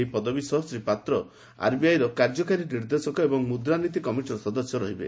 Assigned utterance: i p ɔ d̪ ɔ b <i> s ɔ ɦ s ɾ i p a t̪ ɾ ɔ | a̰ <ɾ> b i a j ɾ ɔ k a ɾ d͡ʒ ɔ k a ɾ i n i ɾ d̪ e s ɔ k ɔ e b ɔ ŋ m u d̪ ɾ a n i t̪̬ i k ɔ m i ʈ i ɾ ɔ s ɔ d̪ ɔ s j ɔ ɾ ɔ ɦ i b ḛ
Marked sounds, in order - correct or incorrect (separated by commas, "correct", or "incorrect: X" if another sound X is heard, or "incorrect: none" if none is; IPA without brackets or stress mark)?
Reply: correct, correct